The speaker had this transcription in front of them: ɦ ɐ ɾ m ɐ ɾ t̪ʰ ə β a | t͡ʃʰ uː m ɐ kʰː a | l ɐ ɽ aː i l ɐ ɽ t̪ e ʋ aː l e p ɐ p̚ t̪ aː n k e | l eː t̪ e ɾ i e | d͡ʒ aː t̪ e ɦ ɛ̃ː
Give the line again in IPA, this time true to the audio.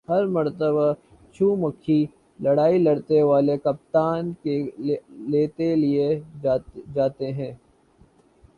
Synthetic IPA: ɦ ɐ ɾ m ɐ ɾ t̪ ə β a | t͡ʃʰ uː m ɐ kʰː i | l ɐ ɽ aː i l ɐ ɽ t̪ e ʋ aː l e k ɐ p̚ t̪ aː n k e | l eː t̪ e l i e | d͡ʒ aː t̪ e ɦ ɛ̃ː